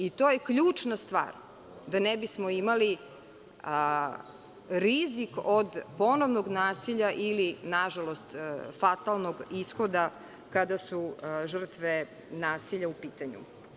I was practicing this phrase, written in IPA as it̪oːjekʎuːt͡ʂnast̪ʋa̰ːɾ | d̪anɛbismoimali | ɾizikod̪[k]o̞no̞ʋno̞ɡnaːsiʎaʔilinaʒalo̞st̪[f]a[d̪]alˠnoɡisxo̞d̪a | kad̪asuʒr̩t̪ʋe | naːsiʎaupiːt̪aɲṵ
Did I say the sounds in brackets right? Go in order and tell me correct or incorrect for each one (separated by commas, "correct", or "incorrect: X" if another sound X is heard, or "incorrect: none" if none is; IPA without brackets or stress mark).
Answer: incorrect: p, correct, incorrect: t̪